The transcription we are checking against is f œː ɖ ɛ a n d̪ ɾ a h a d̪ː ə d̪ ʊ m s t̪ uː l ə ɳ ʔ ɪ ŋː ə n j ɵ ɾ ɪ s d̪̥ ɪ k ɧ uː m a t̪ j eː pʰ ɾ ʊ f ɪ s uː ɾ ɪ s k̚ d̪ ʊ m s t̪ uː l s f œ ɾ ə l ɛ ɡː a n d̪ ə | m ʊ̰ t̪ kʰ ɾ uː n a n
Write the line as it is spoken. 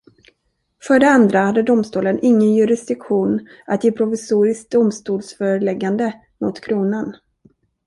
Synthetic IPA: f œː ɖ ɛ a n d̪ ɾ a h a d̪ː ə d̪ ʊ m s t̪ uː l ə n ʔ ɪ ŋː ə n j ɵ ɾ ɪ s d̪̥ ɪ k ɧ uː n a t̪ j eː pʰ ɾ ʊ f ɪ s uː ɾ ɪ s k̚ d̪ ʊ m s t̪ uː l s f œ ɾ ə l ɛ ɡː a n d̪ ə | m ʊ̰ t̪ kʰ ɾ uː n a n

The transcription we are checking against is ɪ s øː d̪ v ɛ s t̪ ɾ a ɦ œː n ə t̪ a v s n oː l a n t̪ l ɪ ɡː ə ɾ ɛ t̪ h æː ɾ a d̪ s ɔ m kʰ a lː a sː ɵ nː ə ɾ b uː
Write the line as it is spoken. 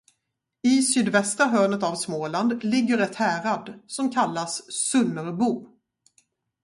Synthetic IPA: ɪ s yː d̪ v ɛ s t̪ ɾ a ɦ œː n ə t̪ a v s m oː l a n d̪ l ɪ ɡː ə ɾ ɛ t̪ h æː ɾ a d̪ s ɔ m kʰ a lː a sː ɵ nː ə ɾ b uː

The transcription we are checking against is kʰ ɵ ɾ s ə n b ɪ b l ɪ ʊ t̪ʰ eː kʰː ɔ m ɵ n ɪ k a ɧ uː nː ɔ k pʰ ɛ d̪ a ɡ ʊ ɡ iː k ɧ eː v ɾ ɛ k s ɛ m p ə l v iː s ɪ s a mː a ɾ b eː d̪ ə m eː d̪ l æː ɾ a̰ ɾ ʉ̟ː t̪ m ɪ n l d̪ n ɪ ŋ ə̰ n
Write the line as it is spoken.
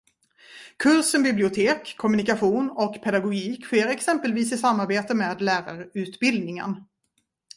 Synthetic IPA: kʰ ɵ ɾ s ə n b ɪ b l ɪ ʊ t̪ʰ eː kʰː ɔ m ɵ n ɪ k a ɧ uː n ɔ k pʰ ɛ d̪ a ɡ ʊ ɡ iː k ɧ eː ɾ ɛ k s ɛ m p ə l v iː s ɪ s a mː a ɾ b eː t̪ ə m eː d̪ l æː ɾ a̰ ɾ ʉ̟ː t̪ b ɪ l d̪ n ɪ ŋ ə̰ n

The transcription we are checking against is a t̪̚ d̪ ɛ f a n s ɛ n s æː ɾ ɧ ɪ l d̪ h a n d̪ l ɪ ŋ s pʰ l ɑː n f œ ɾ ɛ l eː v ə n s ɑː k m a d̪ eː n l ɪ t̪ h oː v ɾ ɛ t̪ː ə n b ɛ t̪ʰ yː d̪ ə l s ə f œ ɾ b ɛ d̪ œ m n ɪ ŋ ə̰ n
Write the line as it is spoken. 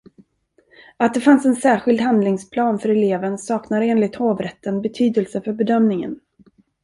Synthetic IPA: a t̪̚ d̪ ɛ f a n s ɛ n s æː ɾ ɧ ɪ l d̪ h a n d̪ l ɪ ŋ s pʰ l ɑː n f œ ɾ ɛ l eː v ə n s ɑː k n a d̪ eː n l ɪ t̪ h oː v ɾ ɛ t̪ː ə n b ɛ t̪ʰ yː d̪ ə l s ə f œ ɾ b ɛ d̪ œ m n ɪ ŋ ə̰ n

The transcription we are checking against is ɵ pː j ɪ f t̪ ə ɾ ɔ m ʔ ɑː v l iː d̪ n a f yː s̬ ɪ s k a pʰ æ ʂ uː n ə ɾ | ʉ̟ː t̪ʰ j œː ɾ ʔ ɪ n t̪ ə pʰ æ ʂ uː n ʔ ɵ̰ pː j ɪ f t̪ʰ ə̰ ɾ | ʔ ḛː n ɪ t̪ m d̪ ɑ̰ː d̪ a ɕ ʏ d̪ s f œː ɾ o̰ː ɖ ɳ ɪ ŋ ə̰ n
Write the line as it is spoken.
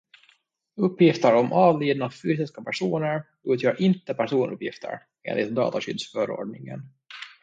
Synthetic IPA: ɵ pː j ɪ f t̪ ə ɾ ɔ m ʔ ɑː v l iː d̪ n a f yː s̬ ɪ s k a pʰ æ ʂ uː n ə ɾ | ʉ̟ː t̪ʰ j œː ɾ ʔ ɪ n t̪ ə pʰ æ ʂ uː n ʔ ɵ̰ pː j ɪ f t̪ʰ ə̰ ɾ | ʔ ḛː n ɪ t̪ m d̪ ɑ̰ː t̪ a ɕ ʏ d̪ s f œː ɾ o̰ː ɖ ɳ ɪ ŋ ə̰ n

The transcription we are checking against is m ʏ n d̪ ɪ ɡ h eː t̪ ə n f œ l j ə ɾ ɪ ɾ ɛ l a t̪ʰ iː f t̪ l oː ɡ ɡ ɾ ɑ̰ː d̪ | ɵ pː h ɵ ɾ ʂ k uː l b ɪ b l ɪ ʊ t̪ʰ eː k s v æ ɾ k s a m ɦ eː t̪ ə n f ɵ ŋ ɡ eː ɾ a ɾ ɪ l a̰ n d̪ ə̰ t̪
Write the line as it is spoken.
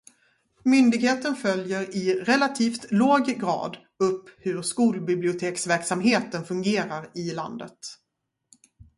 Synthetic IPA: m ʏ n d̪ ɪ ɡ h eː t̪ ə n f œ l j ə ɾ ɪ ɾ ɛ l a t̪ʰ iː f t̪ l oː ɡ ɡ ɾ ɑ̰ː d̪ | ɵ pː h ɵ ɾ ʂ k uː l b ɪ b l ɪ ʊ t̪ʰ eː k s v æ ɾ k s a m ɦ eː t̪ ə n f ɵ ŋ ɡ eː ɾ a ɾ ɪ l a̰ n d̪ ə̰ t̪

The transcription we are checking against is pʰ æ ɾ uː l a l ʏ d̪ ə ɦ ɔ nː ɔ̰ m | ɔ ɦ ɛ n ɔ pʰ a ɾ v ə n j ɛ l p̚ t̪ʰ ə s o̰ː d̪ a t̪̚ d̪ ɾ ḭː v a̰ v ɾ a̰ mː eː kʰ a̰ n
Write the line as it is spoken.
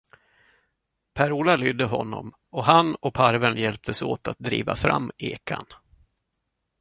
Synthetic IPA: pʰ æ ɾ uː l a l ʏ d̪ ə ɦ ɔ nː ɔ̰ m | ɔ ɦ a n ɔ pʰ a ɾ v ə n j ɛ l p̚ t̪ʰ ə s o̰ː t̪ a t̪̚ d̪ ɾ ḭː v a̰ f ɾ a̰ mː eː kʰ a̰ n

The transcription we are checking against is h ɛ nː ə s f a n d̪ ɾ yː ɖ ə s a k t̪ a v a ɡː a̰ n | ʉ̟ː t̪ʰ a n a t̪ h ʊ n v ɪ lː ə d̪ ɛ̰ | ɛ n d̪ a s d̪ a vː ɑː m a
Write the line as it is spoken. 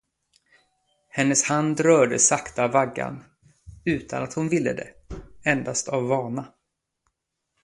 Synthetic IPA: h ɛ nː ə s h a n d̪ ɾ œː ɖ ə s a k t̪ a v a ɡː a̰ n | ʉ̟ː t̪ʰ a n a t̪ h ʊ n v ɪ lː ə d̪ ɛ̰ | ɛ n d̪ a s t̪ a vː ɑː ɳ a

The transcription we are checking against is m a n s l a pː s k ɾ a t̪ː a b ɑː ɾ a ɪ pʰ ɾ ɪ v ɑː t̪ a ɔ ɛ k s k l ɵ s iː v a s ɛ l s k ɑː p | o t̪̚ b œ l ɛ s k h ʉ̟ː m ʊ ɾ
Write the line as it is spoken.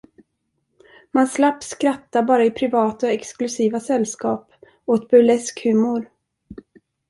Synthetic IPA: m a n s l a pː s k ɾ a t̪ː a b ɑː ɾ a ɪ pʰ ɾ ɪ v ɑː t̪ a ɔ ɛ k s k l ɵ s iː v a s ɛ l s k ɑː p | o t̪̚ b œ l ɛ s k h ʉ̟ː m ʊ ɾ

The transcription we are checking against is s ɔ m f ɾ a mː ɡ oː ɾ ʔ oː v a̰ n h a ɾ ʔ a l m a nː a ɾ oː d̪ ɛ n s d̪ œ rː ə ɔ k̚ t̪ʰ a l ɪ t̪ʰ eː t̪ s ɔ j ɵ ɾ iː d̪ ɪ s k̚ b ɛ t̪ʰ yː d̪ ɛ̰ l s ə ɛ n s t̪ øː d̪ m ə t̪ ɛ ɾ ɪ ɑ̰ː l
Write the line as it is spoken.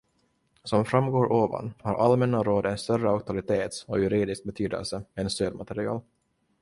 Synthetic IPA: s ɔ m f ɾ a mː ɡ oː ɾ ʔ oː v a̰ n h a ɾ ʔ a l m ɛ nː a ɾ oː d̪ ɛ n s t̪ œ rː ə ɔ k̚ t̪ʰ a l ɪ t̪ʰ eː t̪ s ɔ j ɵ ɾ iː d̪ ɪ s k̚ b ɛ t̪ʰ yː d̪ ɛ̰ l s ə ɛ n s t̪ øː d̪ m a t̪ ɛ ɾ ɪ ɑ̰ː l

